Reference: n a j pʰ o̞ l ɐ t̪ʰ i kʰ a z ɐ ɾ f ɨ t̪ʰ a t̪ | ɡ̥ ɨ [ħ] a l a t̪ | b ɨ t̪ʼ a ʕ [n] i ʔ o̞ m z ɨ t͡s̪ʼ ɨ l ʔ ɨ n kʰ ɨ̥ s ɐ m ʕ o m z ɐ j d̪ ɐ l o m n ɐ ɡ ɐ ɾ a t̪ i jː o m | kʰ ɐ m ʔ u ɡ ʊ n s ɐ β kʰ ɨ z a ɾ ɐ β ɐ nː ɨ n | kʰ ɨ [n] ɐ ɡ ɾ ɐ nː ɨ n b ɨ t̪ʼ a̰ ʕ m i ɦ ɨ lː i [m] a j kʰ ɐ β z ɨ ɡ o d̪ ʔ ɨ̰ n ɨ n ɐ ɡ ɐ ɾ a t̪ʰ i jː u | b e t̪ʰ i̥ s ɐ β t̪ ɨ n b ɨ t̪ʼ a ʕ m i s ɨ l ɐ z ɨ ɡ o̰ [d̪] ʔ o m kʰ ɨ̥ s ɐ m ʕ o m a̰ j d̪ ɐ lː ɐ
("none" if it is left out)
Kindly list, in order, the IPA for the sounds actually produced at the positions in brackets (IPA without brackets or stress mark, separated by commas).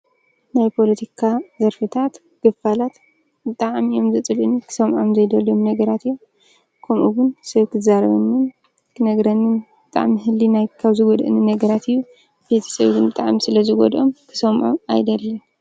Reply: f, m, n, n, d̪